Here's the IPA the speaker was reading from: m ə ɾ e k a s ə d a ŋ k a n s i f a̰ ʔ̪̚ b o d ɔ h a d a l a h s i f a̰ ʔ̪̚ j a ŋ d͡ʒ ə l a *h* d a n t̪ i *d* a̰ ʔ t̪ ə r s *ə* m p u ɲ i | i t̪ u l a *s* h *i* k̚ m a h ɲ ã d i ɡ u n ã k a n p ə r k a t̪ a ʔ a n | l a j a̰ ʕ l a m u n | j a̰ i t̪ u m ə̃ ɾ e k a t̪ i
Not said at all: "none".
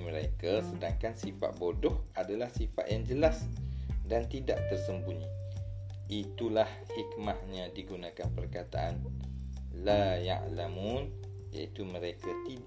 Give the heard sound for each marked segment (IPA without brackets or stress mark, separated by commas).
s, d, ə, h, i